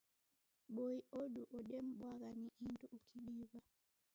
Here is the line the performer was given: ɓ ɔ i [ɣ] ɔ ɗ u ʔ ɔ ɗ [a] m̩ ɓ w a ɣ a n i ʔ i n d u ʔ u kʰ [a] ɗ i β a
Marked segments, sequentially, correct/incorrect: incorrect, incorrect, incorrect

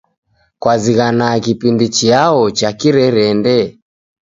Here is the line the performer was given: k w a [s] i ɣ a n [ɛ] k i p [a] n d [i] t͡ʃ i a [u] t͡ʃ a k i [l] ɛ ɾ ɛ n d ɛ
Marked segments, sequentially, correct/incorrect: incorrect, incorrect, incorrect, correct, incorrect, incorrect

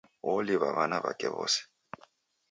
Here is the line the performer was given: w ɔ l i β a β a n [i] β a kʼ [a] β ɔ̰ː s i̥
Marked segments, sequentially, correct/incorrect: incorrect, incorrect

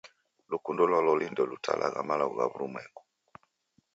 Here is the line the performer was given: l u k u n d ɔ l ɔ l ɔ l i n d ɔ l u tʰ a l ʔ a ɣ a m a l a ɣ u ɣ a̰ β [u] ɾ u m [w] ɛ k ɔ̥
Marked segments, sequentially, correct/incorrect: correct, correct

